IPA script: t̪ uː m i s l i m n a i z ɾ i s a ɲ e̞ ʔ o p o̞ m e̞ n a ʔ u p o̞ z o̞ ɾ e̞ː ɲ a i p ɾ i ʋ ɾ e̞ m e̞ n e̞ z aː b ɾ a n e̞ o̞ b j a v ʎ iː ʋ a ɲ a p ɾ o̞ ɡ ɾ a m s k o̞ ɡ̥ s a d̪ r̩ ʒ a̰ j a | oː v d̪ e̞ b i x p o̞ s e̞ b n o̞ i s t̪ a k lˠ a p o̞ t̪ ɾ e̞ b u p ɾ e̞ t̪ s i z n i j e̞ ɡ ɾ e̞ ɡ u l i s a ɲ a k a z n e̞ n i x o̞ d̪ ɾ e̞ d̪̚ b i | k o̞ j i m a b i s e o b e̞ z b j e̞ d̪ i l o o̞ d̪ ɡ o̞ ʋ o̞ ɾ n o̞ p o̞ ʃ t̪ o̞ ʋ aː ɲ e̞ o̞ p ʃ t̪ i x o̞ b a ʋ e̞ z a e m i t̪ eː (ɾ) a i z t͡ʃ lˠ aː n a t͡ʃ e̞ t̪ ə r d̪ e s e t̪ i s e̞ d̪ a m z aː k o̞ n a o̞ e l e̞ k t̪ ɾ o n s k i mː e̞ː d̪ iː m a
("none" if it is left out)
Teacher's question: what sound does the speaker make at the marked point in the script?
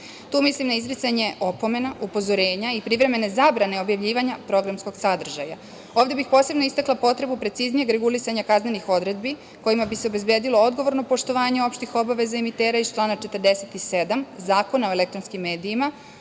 ɾ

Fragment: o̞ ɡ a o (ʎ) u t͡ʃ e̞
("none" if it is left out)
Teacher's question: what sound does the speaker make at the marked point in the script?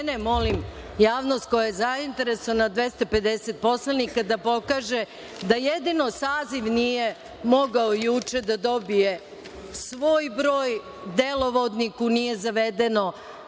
j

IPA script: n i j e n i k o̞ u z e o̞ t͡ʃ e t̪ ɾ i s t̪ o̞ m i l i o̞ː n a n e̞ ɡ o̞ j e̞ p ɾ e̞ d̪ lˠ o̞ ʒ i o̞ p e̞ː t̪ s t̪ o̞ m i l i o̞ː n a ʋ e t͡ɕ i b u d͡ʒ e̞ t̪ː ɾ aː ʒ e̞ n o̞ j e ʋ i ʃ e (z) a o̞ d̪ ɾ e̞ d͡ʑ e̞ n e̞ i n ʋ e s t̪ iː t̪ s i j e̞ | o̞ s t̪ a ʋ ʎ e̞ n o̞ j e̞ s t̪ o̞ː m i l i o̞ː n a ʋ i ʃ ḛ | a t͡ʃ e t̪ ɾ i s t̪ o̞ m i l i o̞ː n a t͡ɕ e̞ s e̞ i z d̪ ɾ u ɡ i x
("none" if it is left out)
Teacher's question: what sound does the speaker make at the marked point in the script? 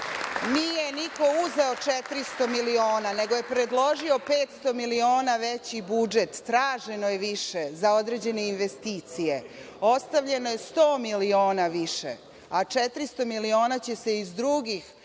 z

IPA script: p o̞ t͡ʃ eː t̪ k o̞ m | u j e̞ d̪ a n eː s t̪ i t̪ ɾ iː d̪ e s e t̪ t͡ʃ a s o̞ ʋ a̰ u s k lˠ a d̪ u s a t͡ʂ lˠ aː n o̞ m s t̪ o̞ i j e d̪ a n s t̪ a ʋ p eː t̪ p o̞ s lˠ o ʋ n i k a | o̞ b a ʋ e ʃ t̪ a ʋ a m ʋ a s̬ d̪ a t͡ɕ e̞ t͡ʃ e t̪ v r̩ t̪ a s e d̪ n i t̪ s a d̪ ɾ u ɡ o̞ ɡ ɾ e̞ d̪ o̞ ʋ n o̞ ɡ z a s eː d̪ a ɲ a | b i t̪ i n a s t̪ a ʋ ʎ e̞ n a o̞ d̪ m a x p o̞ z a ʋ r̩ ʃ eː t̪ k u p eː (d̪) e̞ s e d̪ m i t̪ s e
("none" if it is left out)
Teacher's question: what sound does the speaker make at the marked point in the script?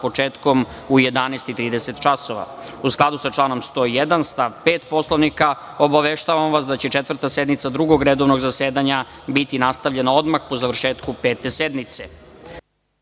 t̪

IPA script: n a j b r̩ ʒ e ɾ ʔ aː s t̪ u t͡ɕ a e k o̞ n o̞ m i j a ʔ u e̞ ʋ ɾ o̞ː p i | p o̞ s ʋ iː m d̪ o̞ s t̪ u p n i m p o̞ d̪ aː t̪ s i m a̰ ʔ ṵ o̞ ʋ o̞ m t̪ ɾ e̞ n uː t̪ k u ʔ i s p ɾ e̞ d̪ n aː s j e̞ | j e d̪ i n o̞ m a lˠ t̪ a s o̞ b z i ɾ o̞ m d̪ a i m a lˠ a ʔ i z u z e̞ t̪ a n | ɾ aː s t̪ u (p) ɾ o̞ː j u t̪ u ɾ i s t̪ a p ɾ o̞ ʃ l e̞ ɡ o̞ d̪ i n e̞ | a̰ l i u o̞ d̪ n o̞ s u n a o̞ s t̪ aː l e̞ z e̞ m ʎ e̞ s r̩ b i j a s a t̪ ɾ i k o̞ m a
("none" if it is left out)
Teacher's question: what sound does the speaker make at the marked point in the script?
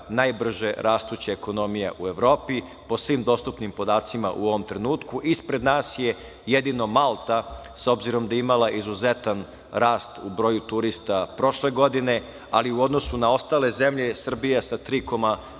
b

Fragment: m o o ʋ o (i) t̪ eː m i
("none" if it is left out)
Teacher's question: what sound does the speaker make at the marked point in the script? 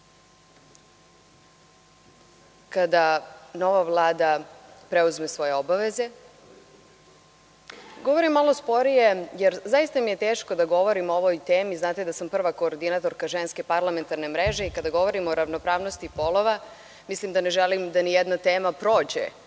j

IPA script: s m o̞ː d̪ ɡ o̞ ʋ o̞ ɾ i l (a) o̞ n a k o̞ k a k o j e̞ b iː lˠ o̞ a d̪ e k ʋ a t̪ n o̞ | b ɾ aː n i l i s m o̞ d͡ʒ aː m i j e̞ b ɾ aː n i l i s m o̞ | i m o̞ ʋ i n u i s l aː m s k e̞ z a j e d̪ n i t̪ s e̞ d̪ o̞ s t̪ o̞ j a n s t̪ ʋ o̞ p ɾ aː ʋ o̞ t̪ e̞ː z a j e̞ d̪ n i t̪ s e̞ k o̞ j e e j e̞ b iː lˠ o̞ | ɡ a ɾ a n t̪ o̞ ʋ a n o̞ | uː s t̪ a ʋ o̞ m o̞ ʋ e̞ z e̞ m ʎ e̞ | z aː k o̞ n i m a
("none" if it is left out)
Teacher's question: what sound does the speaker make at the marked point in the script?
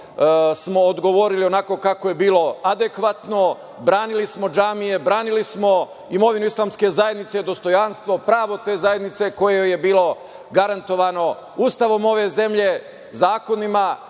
i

